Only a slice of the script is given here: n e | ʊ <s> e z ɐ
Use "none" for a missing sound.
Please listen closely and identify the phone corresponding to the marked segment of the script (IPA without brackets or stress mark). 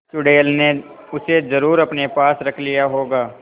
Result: s